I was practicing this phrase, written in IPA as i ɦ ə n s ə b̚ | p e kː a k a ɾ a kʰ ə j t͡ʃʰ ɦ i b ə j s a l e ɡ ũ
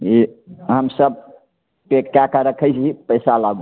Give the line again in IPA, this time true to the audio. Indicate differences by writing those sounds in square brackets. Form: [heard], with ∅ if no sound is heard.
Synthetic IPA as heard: i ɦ ə [m] s ə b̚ | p e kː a k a ɾ [ə] kʰ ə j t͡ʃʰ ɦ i [p] ə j s a l [a] ɡ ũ